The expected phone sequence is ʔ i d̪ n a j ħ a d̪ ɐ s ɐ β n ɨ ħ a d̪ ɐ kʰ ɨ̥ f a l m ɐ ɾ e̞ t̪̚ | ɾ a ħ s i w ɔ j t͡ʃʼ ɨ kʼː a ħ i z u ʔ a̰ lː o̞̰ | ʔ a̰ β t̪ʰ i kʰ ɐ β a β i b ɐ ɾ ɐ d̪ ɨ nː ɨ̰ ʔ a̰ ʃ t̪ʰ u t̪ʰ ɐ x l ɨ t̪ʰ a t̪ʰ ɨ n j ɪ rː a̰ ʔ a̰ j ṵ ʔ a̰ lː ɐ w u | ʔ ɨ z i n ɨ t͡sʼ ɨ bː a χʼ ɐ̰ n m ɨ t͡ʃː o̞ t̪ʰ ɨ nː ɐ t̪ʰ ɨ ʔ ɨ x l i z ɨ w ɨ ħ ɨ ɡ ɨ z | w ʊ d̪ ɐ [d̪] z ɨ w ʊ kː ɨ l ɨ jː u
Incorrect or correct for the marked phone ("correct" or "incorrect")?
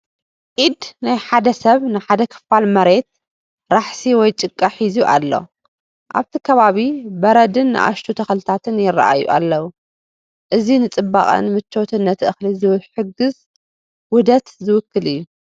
incorrect